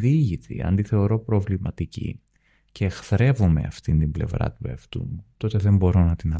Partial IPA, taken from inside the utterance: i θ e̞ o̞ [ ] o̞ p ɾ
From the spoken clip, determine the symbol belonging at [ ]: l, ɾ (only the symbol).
ɾ